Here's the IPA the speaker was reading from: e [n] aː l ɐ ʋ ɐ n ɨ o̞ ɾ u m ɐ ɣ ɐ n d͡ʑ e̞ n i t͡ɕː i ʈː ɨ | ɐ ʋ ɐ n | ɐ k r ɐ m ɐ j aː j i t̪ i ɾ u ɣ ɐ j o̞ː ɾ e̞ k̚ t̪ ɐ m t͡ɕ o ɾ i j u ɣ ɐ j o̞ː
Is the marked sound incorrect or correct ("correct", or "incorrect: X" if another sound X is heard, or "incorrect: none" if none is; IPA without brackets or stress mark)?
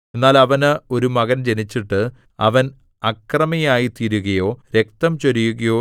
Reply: incorrect: nː